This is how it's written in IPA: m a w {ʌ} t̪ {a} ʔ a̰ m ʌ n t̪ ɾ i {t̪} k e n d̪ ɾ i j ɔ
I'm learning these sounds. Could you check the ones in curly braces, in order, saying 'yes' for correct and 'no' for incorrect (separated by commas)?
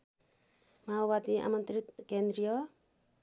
no, no, yes